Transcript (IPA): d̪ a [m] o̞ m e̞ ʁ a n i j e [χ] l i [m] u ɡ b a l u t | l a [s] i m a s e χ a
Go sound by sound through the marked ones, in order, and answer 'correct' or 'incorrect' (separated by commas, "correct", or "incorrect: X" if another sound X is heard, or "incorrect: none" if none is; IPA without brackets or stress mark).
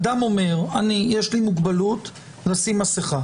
correct, incorrect: ʃ, correct, correct